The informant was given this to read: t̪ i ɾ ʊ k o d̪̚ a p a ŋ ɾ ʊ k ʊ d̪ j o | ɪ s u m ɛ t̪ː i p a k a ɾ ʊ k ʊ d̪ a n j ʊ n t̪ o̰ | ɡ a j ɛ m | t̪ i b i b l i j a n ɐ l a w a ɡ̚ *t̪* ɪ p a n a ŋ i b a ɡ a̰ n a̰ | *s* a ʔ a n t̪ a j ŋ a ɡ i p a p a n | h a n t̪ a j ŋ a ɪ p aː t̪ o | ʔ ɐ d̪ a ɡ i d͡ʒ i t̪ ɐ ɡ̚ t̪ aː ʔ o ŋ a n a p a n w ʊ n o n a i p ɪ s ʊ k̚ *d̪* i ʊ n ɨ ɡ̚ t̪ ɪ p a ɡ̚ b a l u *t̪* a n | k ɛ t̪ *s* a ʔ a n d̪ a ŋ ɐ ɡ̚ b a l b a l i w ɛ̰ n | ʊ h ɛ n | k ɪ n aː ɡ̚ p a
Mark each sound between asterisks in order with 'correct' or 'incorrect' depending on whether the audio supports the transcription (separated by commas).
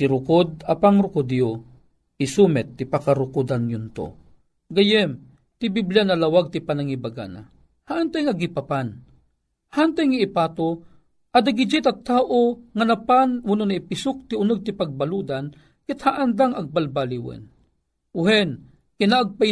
correct, incorrect, incorrect, incorrect, incorrect